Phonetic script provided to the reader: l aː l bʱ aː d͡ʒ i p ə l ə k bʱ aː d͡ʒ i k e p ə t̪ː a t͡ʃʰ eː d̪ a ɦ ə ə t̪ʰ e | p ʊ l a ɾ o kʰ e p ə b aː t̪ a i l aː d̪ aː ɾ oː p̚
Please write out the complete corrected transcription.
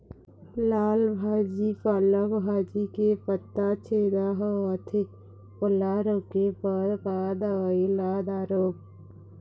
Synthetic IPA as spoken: l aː l bʱ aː d͡ʒ i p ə l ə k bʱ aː d͡ʒ i k e p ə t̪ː a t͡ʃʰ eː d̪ a ɦ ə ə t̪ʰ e | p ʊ l a ɾ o k e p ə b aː d̪ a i l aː d̪ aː ɾ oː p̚

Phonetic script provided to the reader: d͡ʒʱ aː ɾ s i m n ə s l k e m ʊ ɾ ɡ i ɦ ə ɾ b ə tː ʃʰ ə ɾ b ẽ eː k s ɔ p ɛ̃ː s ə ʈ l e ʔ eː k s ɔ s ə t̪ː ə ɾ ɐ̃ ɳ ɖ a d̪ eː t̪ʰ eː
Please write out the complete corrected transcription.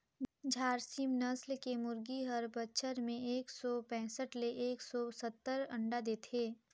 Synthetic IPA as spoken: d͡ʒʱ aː ɾ s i m n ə s l k e m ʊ ɾ ɡ i ɦ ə ɾ b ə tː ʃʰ ə ɾ m ẽ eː k s ɔ p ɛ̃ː s ə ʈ l e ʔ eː k s ɔ s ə t̪ː ə ɾ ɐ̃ ɳ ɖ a d̪ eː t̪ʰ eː

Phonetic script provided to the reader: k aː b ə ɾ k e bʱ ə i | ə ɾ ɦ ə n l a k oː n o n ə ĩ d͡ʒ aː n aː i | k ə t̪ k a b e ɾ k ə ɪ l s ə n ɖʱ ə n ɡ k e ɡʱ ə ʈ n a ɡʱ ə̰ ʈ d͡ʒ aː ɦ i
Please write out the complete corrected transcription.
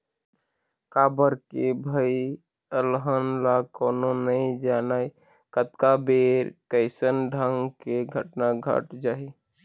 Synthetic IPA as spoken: k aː b ə ɾ k e bʱ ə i | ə l ɦ ə n l a k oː n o n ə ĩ d͡ʒ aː n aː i | k ə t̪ k a b e ɾ k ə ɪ s ə n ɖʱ ə ŋ ɡ k e ɡʱ ə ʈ n a ɡʱ ə̰ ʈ d͡ʒ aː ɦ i

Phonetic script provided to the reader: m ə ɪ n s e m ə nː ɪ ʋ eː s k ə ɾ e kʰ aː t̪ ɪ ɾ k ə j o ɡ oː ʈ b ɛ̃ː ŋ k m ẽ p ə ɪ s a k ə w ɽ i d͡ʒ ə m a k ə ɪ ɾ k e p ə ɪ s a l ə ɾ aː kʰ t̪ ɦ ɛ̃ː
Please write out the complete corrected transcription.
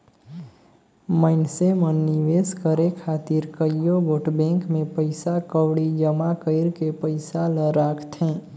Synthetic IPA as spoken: m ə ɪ n s e m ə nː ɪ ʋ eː s k ə ɾ e kʰ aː t̪ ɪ ɾ k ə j o ɡ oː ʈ b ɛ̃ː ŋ k m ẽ p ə ɪ s a k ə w ɽ i d͡ʒ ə m a k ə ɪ ɾ k e p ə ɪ s a l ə ɾ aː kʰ t̪ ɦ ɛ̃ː

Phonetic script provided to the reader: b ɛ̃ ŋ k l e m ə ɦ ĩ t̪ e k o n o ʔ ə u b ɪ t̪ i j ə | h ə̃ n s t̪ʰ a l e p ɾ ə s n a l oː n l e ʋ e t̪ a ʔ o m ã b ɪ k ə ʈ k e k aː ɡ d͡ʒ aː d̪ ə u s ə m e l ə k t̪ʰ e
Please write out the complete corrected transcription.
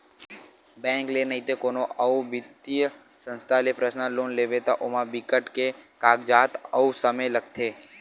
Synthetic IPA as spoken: b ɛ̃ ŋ k l e n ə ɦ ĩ t̪ e k o n o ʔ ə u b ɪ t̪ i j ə | s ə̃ n s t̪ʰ a l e p ɾ ə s n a l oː n l e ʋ e t̪ a ʔ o m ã b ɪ k ə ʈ k e k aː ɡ d͡ʒ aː t̪ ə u s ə m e l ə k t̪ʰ e

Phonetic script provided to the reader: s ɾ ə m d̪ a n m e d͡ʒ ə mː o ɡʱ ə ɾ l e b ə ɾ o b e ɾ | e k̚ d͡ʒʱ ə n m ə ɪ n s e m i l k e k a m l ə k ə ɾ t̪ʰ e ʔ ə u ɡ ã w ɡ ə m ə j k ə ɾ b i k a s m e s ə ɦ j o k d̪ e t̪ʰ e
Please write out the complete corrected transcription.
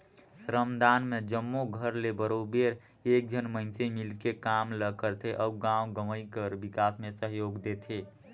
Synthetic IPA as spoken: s ɾ ə m d̪ a n m e d͡ʒ ə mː o ɡʱ ə ɾ l e b ə ɾ o b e ɾ | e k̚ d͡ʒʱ ə n m ə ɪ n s e m i l k e k a m l ə k ə ɾ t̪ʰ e ʔ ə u ɡ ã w ɡ ə m ə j k ə ɾ b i k a s m e s ə ɦ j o ɡ d̪ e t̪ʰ e

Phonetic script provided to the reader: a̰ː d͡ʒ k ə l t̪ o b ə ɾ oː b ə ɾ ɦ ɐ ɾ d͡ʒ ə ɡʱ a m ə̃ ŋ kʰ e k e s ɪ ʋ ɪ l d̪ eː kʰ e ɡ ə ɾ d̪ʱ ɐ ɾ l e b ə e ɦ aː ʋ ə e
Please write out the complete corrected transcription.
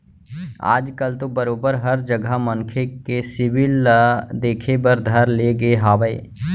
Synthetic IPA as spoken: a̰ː d͡ʒ k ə l t̪ o b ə ɾ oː b ə ɾ ɦ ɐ ɾ d͡ʒ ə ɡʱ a m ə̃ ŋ kʰ e k e s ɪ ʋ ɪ l d̪ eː kʰ e b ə ɾ d̪ʱ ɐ ɾ l e ɡ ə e ɦ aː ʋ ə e

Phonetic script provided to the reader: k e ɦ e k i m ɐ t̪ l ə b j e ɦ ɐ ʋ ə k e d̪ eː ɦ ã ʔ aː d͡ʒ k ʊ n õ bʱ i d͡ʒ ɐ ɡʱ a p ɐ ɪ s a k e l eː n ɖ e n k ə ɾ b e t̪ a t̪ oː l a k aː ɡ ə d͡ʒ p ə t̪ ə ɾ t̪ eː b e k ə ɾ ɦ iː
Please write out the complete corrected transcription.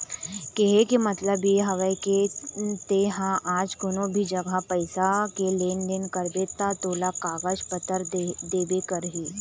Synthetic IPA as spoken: k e ɦ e k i m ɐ t̪ l ə b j e ɦ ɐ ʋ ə k e t̪ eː ɦ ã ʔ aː d͡ʒ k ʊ n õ bʱ i d͡ʒ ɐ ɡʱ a p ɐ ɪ s a k e l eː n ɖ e n k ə ɾ b e t̪ a t̪ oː l a k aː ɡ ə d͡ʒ p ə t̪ ə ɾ d̪ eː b e k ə ɾ ɦ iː

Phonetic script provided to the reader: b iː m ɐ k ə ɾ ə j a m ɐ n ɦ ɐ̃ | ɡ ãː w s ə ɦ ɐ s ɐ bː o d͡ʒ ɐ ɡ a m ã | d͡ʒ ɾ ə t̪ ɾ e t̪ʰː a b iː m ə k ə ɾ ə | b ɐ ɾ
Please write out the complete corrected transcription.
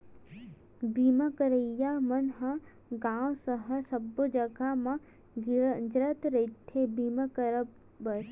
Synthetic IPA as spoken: b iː m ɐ k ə ɾ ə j a m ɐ n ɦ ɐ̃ | ɡ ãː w s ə ɦ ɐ s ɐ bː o d͡ʒ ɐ ɡ a m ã | d͡ʒ ɾ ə t̪ ɾ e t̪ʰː e b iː m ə k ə ɾ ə | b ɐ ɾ

